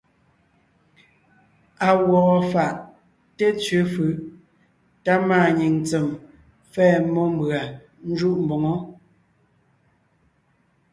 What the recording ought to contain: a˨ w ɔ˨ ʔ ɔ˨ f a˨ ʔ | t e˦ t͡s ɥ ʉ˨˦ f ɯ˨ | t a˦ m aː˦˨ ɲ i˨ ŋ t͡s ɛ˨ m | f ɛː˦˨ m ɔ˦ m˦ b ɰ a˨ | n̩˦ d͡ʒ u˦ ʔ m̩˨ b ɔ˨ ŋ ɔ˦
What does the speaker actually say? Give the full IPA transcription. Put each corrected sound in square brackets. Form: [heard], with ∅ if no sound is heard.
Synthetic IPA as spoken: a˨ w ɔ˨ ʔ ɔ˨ f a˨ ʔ | t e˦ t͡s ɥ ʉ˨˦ f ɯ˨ | t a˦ m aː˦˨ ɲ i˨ ŋ t͡s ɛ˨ m | f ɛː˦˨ m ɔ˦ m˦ b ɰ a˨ | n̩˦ d͡ʒ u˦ ʔ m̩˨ b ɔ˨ ŋ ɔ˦